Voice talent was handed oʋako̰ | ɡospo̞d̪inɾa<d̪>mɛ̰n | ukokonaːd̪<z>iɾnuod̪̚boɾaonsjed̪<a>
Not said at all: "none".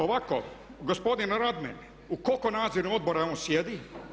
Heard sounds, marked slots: d̪, z, i

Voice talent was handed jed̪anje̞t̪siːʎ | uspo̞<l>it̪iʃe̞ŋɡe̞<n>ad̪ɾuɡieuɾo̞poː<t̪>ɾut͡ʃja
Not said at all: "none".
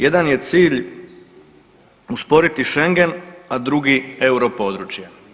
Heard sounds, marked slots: ɾ, n, d̪

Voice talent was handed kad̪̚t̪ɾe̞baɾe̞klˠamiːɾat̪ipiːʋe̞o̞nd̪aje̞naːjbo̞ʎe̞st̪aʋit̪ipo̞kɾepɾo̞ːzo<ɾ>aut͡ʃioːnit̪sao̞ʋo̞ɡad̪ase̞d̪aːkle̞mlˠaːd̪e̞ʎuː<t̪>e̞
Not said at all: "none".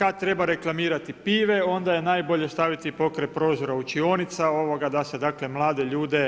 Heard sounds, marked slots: ɾ, d̪

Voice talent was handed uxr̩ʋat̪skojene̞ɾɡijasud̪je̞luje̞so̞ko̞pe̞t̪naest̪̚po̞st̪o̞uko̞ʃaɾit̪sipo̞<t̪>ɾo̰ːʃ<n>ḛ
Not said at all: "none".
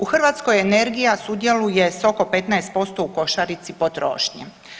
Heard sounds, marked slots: t̪, ɲ

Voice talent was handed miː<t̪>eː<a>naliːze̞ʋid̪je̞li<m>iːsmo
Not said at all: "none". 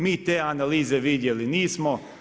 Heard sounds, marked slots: t̪, a, n

